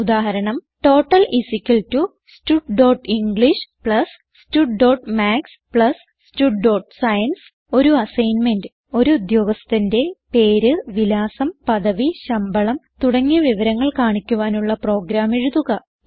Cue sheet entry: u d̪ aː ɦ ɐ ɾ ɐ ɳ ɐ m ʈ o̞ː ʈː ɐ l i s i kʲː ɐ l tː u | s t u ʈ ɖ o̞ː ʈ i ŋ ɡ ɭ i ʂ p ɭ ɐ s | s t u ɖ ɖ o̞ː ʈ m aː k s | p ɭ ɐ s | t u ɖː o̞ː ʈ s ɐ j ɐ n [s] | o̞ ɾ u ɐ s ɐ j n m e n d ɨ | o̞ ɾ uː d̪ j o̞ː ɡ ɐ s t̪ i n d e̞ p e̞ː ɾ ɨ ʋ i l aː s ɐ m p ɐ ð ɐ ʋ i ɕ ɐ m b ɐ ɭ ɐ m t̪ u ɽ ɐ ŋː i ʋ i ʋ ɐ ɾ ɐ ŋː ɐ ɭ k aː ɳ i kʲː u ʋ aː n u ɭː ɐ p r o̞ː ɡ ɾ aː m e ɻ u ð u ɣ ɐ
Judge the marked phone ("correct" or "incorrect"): correct